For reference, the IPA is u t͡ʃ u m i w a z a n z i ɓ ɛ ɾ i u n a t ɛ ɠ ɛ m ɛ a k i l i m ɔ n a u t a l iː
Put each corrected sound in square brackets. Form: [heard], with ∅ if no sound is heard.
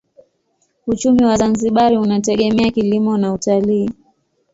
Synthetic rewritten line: u t͡ʃ u m i w a z a n z i ɓ [a] ɾ i u n a t ɛ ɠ ɛ m ɛ a k i l i m ɔ n a u t a l iː